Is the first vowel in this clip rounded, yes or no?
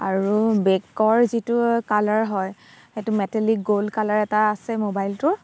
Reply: no